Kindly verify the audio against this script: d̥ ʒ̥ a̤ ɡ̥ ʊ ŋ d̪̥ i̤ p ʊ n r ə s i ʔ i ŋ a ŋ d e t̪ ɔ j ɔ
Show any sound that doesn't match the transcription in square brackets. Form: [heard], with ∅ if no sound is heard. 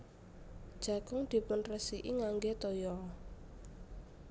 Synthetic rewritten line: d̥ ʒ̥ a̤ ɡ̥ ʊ ŋ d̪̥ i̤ p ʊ n r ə s i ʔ i ŋ a ŋ [ɡ] e t̪ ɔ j ɔ